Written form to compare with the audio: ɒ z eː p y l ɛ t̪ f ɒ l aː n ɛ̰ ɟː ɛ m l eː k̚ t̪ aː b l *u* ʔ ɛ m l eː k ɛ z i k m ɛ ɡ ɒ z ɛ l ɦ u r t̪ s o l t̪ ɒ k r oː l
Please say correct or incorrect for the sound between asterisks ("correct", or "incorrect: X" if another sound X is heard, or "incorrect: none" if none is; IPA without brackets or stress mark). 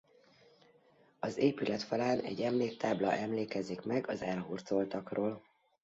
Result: incorrect: ɒ